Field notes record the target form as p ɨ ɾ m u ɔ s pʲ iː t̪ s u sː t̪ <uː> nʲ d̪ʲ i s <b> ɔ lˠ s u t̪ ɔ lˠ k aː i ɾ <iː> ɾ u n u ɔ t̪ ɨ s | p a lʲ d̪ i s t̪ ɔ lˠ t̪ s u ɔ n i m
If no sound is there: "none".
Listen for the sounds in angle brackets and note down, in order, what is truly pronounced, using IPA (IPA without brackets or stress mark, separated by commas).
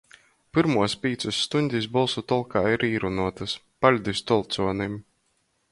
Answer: u, b, iː